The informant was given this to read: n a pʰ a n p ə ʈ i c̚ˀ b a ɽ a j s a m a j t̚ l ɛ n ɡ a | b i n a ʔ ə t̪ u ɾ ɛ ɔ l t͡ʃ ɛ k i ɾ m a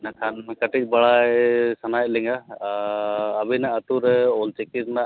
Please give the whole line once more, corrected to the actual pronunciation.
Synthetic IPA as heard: n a kʰ a n k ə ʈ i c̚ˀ b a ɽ a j s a n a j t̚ l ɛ ŋ ɡ a | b i n a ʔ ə t̪ u ɾ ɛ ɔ l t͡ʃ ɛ k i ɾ n a

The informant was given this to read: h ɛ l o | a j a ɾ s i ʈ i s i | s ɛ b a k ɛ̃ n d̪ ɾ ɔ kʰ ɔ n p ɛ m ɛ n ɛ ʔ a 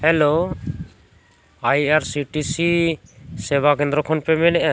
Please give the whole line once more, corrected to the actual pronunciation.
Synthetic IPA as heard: h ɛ l o | a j a ɾ s i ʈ i s i | s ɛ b a k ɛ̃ n d̪ ɾ ɔ kʰ ɔ n p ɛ m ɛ n ɛ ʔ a

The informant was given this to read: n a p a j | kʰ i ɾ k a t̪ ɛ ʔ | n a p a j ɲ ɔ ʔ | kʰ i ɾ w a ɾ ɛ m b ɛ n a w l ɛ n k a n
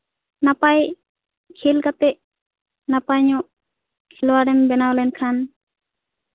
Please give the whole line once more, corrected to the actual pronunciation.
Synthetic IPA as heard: n a p a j | kʰ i l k a t̪ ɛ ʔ | n a p a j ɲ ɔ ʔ | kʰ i l w a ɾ ɛ m b ɛ n a w l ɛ n kʰ a n

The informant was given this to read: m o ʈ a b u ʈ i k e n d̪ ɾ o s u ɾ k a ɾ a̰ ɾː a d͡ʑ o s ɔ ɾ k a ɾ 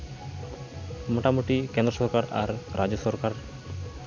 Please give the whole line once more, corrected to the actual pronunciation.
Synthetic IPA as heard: m o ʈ a m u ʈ i k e n d̪ ɾ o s ɔ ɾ k a ɾ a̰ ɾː a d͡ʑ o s ɔ ɾ k a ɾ

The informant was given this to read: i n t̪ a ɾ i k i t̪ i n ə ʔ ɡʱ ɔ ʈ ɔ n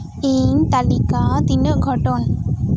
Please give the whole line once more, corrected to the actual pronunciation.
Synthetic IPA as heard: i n t̪ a l i k a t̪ i n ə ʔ ɡʱ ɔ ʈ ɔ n

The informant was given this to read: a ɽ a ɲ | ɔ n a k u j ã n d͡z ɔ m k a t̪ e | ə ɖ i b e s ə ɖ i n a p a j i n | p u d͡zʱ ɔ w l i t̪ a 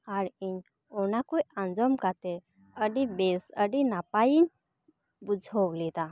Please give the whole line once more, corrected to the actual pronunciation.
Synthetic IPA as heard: a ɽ i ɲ | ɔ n a k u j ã n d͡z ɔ m k a t̪ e | ə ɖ i b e s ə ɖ i n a p a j i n | b u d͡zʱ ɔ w l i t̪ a

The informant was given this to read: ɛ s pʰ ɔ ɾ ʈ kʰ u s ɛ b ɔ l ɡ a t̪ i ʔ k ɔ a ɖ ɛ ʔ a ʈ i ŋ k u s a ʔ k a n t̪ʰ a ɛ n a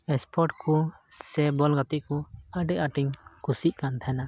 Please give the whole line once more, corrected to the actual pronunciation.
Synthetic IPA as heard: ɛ s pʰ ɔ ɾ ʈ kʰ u s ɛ b ɔ l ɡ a t̪ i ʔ k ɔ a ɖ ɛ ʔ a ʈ i ŋ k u s i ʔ k a n t̪ʰ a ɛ n a

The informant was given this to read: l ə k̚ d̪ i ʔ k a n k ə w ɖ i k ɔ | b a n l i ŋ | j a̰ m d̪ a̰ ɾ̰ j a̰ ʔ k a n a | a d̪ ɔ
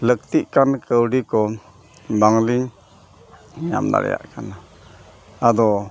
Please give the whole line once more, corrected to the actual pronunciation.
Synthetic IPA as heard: l ə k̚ t̪ i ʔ k a n k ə w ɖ i k ɔ | b a ŋ l i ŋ | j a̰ m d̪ a̰ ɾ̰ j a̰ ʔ k a n a | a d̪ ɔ

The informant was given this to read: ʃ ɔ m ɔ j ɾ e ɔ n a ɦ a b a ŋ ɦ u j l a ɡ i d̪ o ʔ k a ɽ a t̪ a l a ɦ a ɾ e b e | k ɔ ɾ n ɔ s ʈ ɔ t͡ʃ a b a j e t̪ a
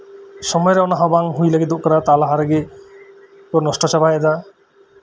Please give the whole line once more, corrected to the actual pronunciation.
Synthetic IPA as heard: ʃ ɔ m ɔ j ɾ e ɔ n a ɦ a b a ŋ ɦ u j l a ɡ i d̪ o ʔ k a ɾ a t̪ a l a ɦ a ɾ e ɡ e | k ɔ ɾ n ɔ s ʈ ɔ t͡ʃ a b a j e d̪ a

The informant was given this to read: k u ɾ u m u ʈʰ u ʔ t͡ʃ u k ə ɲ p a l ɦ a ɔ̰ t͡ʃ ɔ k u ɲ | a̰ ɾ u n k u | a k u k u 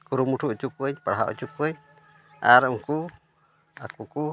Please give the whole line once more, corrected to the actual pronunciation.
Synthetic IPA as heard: k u ɾ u m u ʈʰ u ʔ t͡ʃ u k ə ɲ p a ɽ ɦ a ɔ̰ t͡ʃ u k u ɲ | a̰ ɾ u ŋ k u | a k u k u

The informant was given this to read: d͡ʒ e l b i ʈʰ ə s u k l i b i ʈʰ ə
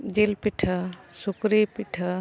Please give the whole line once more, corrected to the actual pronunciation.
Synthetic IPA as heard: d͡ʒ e l p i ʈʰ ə s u k ɾ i p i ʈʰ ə

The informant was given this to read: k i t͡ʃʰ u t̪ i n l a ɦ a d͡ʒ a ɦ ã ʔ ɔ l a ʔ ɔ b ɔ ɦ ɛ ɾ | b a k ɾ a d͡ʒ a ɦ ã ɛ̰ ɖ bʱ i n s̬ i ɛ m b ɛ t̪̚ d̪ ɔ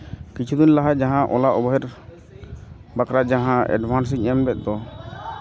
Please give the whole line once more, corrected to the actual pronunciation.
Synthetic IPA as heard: k i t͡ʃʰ u d̪ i n l a ɦ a d͡ʒ a ɦ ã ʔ ɔ l a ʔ ɔ b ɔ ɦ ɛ ɾ | b a k ɾ a d͡ʒ a ɦ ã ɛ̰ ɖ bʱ a n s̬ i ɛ m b ɛ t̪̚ d̪ ɔ

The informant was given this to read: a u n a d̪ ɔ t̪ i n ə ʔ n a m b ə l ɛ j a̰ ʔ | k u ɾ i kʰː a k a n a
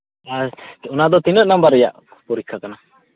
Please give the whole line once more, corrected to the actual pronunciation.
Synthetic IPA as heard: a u n a d̪ ɔ t̪ i n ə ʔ n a m b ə ɾ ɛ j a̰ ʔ | p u ɾ i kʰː a k a n a

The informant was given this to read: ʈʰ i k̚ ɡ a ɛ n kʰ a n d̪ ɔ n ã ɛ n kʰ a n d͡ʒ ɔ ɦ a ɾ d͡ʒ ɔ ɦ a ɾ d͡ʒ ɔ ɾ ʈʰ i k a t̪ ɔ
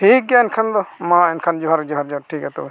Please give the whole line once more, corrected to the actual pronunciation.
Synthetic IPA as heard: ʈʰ i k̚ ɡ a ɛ n kʰ a n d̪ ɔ m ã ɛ n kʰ a n d͡ʒ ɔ ɦ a ɾ d͡ʒ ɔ ɦ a ɾ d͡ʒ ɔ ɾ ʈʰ i k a t̪ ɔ

